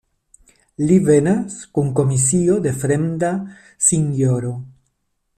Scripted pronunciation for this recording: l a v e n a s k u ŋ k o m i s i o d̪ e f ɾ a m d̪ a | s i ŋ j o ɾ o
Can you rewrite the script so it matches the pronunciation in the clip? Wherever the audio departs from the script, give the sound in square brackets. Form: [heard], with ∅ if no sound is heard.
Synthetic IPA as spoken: l [i] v e n a s k u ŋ k o m i s i o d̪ e f ɾ [e] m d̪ a | s i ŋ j o ɾ o